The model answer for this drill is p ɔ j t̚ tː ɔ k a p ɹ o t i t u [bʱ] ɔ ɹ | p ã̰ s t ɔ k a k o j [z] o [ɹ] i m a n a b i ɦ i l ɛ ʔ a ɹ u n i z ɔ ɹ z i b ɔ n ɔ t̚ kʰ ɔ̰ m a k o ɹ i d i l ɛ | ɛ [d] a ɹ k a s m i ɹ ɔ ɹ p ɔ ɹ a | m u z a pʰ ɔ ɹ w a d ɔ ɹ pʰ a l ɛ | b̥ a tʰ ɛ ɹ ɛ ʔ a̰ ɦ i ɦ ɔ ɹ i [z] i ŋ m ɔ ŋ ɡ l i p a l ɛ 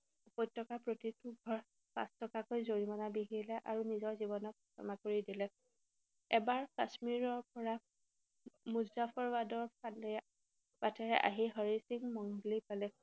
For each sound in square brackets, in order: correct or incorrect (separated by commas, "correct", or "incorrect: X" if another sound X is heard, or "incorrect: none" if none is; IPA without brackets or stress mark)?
incorrect: ɡʱ, correct, correct, incorrect: b, incorrect: s